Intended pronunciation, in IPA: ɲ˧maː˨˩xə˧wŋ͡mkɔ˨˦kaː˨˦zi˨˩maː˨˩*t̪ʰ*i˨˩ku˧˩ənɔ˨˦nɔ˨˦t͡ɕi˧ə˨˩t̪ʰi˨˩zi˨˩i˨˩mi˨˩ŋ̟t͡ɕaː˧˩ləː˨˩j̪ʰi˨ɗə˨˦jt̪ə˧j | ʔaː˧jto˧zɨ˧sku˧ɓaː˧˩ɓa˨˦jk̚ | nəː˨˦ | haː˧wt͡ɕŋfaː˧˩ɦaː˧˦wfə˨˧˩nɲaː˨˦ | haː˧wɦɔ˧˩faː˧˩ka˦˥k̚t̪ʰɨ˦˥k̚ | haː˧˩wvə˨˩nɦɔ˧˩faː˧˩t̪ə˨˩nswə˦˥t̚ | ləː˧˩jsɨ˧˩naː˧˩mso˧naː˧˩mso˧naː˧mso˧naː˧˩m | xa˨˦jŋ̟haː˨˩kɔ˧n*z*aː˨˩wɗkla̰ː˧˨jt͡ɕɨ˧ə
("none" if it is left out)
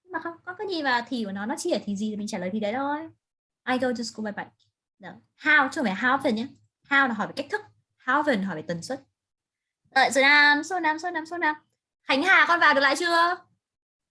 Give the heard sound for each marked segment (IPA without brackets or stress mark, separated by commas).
t̪ʰ, v